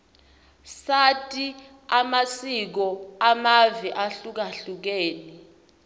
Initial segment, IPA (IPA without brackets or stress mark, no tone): s